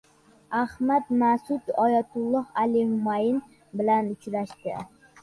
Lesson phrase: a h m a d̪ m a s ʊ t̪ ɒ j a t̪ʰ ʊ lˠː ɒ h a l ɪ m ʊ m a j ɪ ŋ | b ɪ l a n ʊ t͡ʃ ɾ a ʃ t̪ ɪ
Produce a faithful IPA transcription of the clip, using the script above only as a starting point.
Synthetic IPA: a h m a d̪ m a s ʊ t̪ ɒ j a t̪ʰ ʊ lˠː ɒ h a l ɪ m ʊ m a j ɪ n | b ɪ l a n ʊ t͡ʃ ɾ a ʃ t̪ ɪ